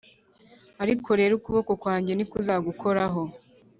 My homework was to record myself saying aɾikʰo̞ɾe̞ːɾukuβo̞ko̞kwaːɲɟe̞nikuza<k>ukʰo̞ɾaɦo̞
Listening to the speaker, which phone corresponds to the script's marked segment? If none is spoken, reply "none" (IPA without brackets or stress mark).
ɡ